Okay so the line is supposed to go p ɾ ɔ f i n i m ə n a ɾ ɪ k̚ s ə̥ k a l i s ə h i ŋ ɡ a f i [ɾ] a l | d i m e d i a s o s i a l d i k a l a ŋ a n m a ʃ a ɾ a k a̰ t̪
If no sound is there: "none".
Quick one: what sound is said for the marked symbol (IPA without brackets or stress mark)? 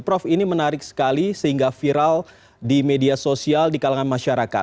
ɾ